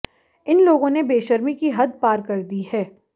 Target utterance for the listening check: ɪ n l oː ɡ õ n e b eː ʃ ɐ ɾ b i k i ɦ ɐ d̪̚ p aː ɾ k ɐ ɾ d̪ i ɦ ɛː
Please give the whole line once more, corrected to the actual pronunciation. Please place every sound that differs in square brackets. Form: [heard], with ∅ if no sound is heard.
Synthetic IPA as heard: ɪ n l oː ɡ õ n e b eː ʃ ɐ ɾ [m] i k i ɦ ɐ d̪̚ p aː ɾ k ɐ ɾ d̪ i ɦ ɛː